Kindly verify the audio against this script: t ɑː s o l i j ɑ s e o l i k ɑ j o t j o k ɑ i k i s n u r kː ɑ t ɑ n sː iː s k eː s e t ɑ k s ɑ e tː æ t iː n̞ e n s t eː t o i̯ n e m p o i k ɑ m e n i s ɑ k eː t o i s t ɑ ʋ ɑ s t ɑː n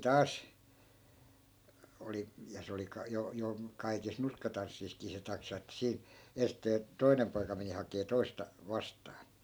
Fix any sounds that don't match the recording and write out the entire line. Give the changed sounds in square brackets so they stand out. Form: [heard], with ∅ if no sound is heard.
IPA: t ɑː s o l i j ɑ s e o l i k ɑ j o [∅] j o k ɑ i k i s n u r kː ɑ t ɑ n sː iː s k [iː] s e t ɑ k s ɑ e tː æ [s] iː n̞ e n s t eː t o i̯ n e m p o i k ɑ m e n i [h] ɑ k eː t o i s t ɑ ʋ ɑ s t ɑː n